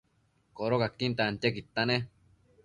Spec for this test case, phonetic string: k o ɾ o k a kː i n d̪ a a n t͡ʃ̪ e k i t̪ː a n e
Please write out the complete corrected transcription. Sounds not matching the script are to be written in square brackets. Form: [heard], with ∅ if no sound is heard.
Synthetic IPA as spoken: k o ɾ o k a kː i n [t̪] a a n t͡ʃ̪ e k i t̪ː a n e

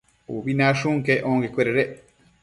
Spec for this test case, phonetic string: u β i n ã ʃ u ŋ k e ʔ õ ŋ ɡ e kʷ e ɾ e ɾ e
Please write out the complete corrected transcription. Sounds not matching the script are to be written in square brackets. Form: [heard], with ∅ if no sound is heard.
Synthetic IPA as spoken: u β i n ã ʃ u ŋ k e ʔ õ ŋ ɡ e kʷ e ɾ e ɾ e

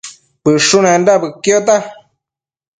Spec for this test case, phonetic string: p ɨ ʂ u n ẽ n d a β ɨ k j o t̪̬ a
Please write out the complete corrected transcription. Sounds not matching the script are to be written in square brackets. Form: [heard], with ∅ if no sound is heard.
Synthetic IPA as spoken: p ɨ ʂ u n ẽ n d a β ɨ k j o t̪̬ a

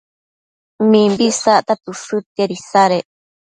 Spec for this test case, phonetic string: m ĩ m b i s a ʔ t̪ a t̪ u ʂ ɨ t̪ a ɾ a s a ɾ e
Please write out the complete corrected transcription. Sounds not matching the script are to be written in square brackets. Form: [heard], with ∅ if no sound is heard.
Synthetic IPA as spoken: m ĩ m b i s a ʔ t̪ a t̪ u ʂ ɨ t̪ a ɾ [i] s a ɾ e

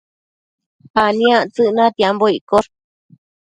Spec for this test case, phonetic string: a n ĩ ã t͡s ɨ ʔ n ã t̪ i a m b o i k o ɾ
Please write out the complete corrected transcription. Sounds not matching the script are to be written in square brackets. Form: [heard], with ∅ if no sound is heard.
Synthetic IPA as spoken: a n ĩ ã t͡s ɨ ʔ n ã t̪ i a m b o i k o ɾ

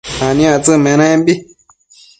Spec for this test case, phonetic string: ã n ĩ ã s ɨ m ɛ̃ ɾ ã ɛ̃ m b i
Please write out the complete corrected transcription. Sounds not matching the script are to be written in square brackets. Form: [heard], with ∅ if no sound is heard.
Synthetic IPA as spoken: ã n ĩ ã [t͡s] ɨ m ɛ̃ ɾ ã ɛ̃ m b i

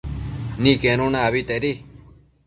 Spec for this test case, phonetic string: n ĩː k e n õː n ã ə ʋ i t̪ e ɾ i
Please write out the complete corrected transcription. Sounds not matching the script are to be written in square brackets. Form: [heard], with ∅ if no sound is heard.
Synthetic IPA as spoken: n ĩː k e n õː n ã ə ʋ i t̪ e ɾ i

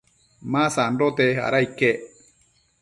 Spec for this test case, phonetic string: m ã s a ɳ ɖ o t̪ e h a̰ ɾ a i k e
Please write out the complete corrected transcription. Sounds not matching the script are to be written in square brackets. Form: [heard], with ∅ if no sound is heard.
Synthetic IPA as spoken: m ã s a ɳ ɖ o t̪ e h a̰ ɾ a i k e

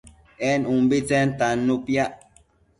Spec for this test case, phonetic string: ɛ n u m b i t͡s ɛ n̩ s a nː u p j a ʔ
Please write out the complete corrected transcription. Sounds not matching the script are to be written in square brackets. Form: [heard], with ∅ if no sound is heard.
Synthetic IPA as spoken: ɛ n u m b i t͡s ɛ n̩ [t] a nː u p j a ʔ

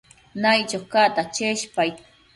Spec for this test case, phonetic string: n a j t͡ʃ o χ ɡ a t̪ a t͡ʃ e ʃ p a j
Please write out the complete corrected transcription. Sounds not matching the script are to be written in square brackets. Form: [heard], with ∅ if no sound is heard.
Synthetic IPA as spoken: n a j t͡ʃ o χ [k] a t̪ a t͡ʃ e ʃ p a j

